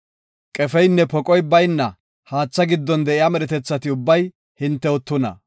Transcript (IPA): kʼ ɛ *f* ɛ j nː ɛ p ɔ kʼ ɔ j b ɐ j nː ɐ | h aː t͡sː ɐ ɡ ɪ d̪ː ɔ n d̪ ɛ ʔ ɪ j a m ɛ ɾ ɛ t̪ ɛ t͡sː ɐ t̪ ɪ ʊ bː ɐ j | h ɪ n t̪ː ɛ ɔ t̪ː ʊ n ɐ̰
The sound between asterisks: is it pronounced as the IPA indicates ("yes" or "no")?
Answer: yes